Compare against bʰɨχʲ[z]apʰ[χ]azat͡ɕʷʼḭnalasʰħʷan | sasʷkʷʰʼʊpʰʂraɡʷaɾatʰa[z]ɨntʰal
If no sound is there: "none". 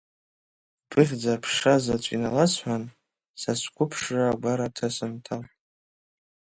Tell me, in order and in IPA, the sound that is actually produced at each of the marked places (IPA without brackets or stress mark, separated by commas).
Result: d͡z, ʂ, s